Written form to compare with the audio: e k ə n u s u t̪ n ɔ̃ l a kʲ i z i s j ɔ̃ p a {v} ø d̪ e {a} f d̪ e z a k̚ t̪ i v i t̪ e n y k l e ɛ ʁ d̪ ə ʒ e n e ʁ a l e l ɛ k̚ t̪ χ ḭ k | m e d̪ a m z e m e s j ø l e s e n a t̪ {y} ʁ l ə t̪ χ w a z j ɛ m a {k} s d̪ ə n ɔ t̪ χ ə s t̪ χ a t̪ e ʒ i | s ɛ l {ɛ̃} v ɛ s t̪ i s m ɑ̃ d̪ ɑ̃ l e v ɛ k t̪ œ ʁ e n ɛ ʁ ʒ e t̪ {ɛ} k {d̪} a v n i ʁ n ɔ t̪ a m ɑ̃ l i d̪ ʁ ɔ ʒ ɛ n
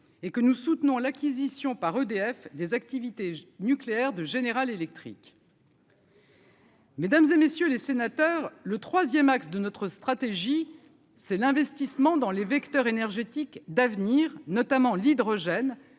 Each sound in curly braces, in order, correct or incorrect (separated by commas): incorrect, incorrect, incorrect, correct, correct, incorrect, correct